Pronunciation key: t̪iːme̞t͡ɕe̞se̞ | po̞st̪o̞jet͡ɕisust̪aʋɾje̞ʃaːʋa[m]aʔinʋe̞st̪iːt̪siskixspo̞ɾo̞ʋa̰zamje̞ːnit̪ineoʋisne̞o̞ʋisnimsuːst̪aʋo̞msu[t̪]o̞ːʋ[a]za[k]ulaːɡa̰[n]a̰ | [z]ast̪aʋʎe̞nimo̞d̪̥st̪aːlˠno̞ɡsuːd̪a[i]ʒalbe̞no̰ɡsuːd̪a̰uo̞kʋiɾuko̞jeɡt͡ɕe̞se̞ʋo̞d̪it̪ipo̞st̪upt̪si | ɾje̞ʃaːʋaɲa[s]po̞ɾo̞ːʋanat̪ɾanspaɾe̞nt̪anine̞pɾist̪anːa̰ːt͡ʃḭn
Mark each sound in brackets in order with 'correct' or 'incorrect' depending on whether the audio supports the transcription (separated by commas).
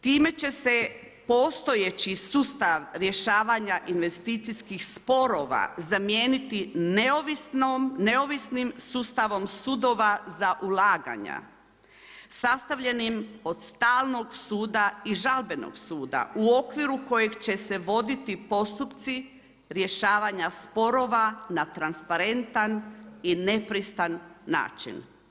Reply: incorrect, incorrect, correct, incorrect, incorrect, incorrect, correct, correct